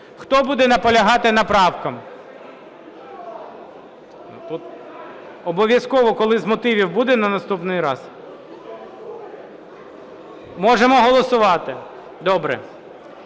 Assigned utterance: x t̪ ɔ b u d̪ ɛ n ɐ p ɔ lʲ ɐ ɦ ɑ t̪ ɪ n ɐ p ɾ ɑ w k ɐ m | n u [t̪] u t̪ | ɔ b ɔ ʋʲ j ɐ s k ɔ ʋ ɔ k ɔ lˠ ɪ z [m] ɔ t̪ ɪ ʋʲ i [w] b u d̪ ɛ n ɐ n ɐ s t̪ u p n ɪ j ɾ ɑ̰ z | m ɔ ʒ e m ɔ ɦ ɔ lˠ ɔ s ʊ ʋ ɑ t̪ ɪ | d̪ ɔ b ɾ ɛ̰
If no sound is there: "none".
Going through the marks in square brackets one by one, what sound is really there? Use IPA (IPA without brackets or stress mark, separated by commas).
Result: t̪, m, w